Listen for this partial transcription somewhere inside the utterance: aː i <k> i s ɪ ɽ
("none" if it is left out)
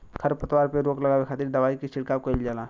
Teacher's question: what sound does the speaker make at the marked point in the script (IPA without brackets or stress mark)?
k